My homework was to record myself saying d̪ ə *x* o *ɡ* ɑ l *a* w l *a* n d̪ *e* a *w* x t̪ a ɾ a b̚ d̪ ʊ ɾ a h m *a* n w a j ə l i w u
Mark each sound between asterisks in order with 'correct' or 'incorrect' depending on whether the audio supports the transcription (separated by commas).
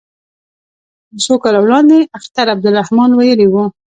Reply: incorrect, incorrect, correct, incorrect, correct, incorrect, incorrect